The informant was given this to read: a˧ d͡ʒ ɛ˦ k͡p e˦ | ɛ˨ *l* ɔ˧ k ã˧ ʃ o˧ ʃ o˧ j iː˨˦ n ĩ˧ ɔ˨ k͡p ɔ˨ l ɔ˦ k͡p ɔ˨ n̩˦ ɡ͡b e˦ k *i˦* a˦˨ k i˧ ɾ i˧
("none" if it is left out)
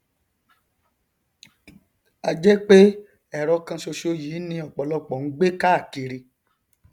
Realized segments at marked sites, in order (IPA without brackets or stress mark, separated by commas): ɾ, a˦